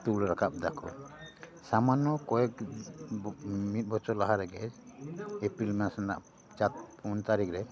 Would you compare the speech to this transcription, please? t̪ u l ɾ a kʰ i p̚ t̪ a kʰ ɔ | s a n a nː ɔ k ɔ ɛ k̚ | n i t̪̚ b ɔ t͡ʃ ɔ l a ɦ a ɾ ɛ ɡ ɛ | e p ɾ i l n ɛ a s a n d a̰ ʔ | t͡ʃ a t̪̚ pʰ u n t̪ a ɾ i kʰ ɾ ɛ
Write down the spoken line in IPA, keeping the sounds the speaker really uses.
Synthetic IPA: t̪ u l ɾ a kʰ a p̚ d̪ a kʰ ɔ | s a m a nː ɔ k ɔ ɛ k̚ | m i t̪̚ b ɔ t͡ʃ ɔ l a ɦ a ɾ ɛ ɡ ɛ | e p ɾ i l m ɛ a s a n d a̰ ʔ | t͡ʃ a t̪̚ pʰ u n t̪ a ɾ i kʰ ɾ ɛ